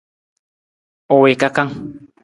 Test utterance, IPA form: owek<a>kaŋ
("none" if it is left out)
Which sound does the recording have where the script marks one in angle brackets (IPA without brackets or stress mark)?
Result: a